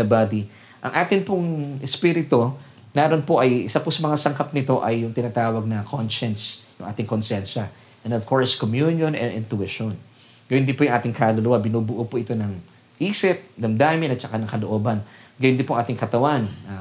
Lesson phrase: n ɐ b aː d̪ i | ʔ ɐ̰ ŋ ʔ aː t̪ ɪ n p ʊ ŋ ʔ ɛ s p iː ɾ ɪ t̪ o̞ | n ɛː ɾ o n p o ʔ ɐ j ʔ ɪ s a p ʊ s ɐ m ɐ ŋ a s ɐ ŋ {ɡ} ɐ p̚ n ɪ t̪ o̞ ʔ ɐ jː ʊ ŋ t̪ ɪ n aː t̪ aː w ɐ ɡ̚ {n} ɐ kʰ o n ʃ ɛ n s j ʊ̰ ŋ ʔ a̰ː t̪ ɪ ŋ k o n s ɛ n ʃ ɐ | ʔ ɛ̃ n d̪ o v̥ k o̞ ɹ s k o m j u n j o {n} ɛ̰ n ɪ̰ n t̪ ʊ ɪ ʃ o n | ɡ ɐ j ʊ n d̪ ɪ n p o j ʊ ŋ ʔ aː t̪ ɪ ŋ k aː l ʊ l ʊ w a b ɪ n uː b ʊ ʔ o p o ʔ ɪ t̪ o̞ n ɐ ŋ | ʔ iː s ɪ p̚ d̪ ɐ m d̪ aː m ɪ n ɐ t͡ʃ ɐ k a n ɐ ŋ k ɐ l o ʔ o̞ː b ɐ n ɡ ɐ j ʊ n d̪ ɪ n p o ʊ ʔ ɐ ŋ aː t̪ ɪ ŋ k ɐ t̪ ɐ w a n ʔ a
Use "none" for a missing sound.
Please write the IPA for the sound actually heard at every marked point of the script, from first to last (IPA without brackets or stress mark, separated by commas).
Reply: k, n, n